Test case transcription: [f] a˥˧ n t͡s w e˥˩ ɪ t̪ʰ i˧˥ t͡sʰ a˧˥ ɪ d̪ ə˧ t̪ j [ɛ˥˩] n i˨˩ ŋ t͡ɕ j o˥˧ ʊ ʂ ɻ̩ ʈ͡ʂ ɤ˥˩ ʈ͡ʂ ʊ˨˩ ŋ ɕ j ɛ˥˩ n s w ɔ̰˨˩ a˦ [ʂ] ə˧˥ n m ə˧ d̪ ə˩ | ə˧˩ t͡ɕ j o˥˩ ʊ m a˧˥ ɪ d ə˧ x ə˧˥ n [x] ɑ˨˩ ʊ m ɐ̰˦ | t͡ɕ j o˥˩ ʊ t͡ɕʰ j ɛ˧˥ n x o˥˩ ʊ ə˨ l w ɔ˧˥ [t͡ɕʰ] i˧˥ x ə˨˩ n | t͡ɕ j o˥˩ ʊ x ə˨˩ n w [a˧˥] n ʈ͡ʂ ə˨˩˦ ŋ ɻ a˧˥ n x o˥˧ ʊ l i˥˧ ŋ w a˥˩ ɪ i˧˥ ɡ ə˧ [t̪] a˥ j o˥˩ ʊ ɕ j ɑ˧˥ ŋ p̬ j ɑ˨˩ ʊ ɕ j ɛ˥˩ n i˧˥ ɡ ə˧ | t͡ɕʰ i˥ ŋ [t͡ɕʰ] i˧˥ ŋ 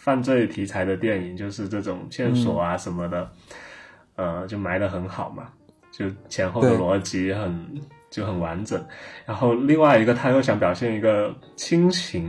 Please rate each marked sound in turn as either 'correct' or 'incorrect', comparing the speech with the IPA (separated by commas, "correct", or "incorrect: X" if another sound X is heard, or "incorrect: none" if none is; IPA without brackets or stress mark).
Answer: correct, correct, correct, correct, incorrect: t͡ɕ, correct, incorrect: t̪ʰ, correct